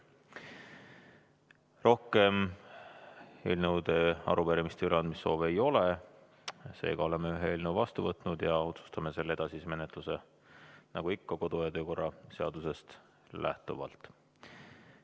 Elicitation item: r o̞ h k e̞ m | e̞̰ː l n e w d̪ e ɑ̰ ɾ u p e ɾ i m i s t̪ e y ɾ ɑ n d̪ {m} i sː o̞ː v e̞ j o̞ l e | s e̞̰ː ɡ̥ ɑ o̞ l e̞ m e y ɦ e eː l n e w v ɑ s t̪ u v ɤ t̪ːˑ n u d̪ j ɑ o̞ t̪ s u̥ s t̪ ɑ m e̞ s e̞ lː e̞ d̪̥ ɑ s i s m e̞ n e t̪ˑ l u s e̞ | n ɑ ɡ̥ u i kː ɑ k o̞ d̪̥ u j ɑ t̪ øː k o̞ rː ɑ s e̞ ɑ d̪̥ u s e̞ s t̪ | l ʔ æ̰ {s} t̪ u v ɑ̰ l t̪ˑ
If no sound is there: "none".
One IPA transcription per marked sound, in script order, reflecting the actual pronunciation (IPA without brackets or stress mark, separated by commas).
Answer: m, h